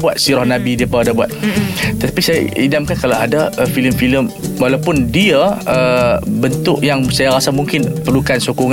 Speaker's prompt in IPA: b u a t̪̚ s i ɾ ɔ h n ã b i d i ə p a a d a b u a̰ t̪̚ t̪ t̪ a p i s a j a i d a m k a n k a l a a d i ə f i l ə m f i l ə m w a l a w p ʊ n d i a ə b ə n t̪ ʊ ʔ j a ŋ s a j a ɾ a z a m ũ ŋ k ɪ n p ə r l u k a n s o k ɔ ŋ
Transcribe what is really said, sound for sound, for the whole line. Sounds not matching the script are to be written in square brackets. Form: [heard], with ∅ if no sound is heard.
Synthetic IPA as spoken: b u a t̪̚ s i ɾ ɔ h n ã b i d i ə p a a d a b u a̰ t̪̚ t̪ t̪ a p i s a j a i d a m k a n k a l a a d [a] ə f i l ə m f i l ə m w a l a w p ʊ n d i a ə b ə n t̪ ʊ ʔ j a ŋ s a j a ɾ a [s] a m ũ ŋ k ɪ n p ə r l u k a n s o k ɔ ŋ